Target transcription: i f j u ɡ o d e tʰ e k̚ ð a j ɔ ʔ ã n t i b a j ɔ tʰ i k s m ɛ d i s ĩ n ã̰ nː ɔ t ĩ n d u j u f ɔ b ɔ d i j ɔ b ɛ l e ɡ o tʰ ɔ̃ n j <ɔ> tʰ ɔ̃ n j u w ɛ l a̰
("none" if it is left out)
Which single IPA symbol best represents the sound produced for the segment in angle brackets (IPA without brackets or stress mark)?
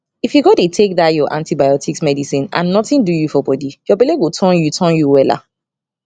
u